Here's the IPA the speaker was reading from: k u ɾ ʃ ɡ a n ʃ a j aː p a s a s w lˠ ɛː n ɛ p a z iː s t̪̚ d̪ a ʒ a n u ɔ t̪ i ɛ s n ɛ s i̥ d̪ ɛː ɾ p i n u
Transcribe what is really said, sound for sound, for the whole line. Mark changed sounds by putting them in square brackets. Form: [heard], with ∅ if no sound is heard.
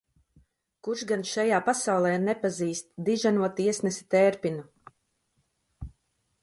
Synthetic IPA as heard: k u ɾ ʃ ɡ a n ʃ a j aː p a s a [∅] w lˠ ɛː n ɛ p a z iː s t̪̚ d̪ [i] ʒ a n u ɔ t̪ i ɛ s n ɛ s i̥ [t̪] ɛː ɾ p i n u